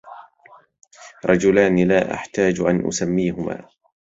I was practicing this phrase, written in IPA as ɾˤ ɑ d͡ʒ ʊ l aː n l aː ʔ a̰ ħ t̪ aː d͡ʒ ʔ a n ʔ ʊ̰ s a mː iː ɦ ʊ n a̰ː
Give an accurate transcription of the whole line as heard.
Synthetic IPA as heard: ɾˤ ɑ d͡ʒ ʊ l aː n l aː ʔ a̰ ħ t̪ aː d͡ʒ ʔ a n ʔ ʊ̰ s a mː iː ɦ ʊ m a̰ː